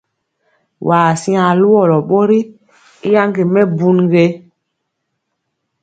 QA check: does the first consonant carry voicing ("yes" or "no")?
yes